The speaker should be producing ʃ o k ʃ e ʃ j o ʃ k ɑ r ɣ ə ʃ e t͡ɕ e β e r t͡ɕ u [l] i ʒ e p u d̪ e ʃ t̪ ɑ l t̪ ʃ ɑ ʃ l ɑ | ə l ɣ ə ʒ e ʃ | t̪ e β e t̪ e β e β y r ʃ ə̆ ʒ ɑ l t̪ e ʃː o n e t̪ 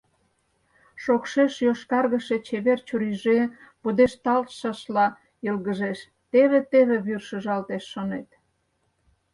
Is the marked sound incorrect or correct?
incorrect